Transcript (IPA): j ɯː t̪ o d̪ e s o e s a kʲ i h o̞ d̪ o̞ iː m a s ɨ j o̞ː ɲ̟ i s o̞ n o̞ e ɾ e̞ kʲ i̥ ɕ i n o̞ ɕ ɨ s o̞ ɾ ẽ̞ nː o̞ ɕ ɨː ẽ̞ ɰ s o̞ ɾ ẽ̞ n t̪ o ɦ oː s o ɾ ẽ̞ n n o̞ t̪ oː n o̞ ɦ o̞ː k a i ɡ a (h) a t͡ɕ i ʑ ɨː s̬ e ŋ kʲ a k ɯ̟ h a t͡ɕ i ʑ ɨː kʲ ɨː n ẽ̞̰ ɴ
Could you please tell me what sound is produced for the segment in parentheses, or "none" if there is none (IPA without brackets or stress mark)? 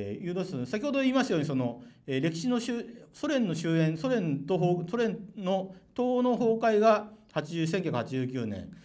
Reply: h